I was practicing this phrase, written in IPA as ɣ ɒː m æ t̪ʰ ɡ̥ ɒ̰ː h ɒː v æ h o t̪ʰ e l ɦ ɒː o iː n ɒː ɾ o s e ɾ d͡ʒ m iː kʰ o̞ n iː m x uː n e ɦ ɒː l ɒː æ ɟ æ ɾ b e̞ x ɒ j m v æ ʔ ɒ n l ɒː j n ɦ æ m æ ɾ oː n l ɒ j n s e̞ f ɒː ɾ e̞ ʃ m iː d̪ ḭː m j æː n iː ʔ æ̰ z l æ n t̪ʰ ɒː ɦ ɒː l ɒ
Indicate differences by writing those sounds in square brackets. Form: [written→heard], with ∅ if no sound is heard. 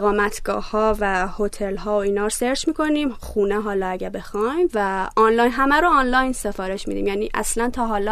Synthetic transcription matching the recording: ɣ ɒː m æ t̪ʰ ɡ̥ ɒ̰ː h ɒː v æ h o t̪ʰ e l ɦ ɒː o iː n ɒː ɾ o s e ɾ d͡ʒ m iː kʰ o̞ n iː m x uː n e ɦ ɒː l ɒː æ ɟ æ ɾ b e̞ x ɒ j m v æ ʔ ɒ n l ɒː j n ɦ æ m æ ɾ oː n l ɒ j n s e̞ f ɒː ɾ e̞ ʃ m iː d̪ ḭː m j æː n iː ʔ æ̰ [z→s] l æ n t̪ʰ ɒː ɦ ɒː l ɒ